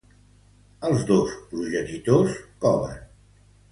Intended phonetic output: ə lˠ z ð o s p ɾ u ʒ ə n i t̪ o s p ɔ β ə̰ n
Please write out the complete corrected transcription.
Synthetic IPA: ə lˠ z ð o s p ɾ u ʒ ə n i t̪ o s k ɔ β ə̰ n